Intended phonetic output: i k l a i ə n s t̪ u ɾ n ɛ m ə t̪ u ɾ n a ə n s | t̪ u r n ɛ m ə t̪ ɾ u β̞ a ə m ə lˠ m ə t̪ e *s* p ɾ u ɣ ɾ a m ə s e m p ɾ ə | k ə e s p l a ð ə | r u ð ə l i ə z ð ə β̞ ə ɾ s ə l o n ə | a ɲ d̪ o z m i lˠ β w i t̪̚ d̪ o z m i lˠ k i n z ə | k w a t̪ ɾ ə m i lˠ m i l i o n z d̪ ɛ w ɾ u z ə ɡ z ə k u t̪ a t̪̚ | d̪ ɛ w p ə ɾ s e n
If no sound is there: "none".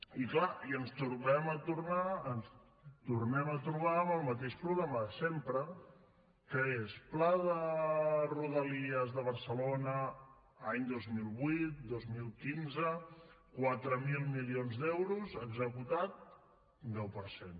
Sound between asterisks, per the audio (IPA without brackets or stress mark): ʃ